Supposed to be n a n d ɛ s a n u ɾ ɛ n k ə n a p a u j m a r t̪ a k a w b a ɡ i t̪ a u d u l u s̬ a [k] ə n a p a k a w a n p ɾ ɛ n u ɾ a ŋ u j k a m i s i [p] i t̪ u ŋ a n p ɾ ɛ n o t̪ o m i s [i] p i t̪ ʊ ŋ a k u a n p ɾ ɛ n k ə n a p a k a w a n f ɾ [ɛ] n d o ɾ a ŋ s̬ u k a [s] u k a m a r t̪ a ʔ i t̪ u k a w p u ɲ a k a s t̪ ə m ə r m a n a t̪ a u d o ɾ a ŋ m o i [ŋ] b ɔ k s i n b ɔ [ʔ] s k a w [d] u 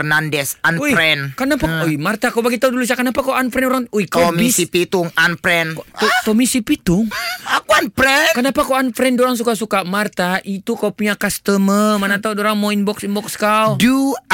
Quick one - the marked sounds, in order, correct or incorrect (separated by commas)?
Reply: correct, correct, correct, correct, correct, incorrect, incorrect, correct